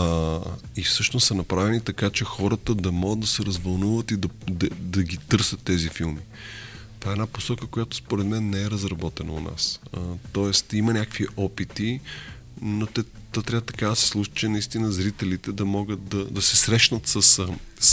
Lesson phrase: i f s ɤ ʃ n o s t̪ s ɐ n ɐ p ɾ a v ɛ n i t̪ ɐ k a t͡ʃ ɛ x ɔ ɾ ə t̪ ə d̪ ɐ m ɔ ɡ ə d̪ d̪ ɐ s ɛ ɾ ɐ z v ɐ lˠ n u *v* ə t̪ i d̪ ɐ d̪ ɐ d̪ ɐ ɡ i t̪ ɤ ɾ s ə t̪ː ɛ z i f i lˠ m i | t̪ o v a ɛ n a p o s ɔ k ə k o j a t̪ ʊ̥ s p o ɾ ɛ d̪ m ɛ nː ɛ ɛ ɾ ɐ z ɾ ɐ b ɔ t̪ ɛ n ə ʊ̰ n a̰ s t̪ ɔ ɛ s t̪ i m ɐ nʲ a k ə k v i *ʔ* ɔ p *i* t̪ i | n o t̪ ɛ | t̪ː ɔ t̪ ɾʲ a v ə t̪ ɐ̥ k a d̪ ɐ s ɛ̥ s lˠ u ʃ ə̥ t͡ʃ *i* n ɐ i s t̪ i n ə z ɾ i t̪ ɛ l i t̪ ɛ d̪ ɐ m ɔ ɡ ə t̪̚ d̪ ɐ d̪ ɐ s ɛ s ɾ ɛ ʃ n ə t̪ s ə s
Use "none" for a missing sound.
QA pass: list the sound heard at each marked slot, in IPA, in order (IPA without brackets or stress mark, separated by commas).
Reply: v, ʔ, i, ɛ